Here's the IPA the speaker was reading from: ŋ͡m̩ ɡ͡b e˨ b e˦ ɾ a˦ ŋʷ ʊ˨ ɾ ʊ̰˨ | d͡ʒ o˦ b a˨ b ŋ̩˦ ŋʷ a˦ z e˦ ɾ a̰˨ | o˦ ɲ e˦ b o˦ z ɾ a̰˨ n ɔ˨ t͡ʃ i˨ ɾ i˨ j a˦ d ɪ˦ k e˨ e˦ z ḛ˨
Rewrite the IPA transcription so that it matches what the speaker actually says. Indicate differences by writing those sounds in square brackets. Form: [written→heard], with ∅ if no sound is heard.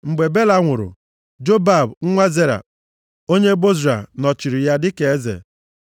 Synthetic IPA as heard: ŋ͡m̩ ɡ͡b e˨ b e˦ [ɾ→l] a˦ ŋʷ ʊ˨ ɾ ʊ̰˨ | d͡ʒ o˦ b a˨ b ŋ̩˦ ŋʷ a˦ z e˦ ɾ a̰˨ | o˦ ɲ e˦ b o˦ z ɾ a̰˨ n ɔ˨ t͡ʃ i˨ ɾ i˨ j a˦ d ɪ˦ k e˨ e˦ z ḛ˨